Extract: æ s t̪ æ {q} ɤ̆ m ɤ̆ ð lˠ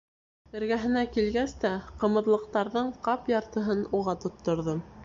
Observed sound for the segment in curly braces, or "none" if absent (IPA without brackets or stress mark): q